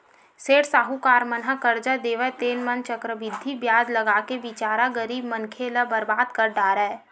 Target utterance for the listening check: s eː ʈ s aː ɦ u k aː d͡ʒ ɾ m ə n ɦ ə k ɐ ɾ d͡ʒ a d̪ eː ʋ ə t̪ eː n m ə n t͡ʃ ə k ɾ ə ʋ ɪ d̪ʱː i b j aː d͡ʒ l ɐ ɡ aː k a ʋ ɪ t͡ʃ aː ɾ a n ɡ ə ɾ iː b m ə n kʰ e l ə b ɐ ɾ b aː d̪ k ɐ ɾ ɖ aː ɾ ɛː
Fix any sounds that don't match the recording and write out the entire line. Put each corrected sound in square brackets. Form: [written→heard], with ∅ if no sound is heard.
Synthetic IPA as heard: s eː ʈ s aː ɦ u k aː [d͡ʒ→∅] ɾ m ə n ɦ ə k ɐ ɾ d͡ʒ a d̪ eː ʋ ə t̪ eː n m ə n t͡ʃ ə k ɾ ə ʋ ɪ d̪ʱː i b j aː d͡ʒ l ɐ ɡ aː k [a→e] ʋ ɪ t͡ʃ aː ɾ a [n→∅] ɡ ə ɾ iː b m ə n kʰ e l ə b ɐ ɾ b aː d̪ k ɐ ɾ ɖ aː ɾ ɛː